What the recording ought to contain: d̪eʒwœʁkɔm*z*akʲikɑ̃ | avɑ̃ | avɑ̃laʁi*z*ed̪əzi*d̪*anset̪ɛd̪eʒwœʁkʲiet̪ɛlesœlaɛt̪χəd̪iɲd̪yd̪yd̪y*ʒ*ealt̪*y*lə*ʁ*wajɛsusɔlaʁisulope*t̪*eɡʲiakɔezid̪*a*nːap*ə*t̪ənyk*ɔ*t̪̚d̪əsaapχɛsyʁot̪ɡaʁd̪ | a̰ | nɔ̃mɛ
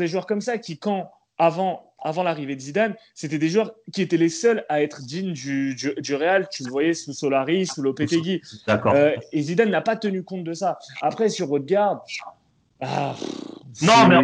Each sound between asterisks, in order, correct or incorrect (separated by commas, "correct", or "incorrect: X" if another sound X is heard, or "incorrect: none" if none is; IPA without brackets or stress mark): incorrect: s, incorrect: v, correct, incorrect: ʁ, correct, incorrect: v, correct, correct, incorrect: a, incorrect: ɔ̃